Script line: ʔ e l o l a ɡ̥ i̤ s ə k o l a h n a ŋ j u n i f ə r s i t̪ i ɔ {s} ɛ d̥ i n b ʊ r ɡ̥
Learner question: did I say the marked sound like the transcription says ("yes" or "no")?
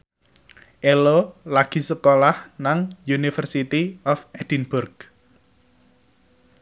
no